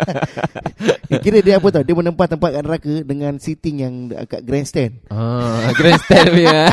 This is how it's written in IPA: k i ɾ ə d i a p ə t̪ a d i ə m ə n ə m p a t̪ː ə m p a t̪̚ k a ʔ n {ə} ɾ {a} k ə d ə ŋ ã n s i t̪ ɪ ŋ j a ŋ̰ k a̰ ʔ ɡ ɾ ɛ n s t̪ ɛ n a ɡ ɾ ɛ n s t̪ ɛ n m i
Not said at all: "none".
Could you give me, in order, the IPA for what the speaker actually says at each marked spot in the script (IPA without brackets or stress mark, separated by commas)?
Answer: ə, a